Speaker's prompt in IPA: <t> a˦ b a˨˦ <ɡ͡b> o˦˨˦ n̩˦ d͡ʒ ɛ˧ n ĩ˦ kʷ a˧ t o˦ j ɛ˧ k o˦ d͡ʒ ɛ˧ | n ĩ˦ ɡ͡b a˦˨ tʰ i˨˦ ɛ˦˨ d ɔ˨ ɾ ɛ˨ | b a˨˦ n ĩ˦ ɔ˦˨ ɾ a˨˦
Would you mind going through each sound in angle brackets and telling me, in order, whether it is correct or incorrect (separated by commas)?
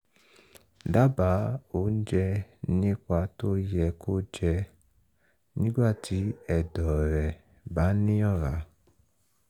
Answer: incorrect, incorrect